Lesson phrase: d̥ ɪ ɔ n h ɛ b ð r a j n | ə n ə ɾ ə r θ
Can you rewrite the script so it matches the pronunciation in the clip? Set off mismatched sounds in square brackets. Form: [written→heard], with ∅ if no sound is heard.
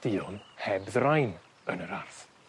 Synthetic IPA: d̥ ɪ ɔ n h ɛ b ð r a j n | ə n ə ɾ [ə→a] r θ